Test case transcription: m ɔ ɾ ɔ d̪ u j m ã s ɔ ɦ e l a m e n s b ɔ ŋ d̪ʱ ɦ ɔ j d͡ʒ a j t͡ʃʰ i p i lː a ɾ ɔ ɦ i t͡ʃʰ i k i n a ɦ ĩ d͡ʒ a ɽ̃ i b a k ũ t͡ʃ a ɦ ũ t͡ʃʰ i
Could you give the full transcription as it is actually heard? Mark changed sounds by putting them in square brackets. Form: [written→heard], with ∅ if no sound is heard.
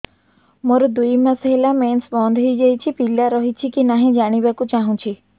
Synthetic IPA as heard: m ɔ ɾ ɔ d̪ u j m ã s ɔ ɦ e l a m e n s b ɔ [ŋ→n] d̪ʱ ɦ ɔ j d͡ʒ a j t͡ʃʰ i p i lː a ɾ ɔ ɦ i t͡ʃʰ i k i n a ɦ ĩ d͡ʒ a ɽ̃ i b a k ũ t͡ʃ a ɦ ũ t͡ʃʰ i